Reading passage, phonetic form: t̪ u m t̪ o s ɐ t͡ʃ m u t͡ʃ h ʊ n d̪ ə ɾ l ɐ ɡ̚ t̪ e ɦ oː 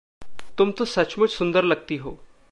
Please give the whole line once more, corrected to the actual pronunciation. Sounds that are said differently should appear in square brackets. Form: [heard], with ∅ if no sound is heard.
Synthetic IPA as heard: t̪ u m t̪ o s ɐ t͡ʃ m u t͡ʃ [s] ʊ n d̪ ə ɾ l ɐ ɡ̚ t̪ [i] ɦ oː